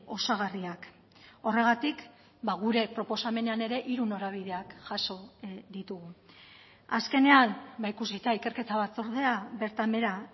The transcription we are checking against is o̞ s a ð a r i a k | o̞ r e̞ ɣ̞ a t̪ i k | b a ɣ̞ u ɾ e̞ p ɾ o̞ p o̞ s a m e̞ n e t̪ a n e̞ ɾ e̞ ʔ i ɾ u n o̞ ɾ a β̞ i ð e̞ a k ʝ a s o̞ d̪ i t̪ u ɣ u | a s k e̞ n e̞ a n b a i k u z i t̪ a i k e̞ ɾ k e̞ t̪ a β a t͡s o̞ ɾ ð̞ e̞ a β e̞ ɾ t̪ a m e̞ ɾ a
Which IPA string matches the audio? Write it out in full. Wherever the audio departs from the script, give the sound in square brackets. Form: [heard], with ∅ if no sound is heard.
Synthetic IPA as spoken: o̞ s a [ɣ] a r i a k | o̞ r e̞ ɣ̞ a t̪ i k | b a ɣ̞ u ɾ e̞ p ɾ o̞ p o̞ s a m e̞ n e [∅] a n e̞ ɾ e̞ ʔ i ɾ u n o̞ ɾ a β̞ i ð e̞ a k ʝ a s o̞ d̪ i t̪ u ɣ u | a s k e̞ n e̞ a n b a i k u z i t̪ a i k e̞ ɾ k e̞ t̪ a β a t͡s o̞ ɾ ð̞ e̞ a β e̞ ɾ t̪ a m e̞ ɾ a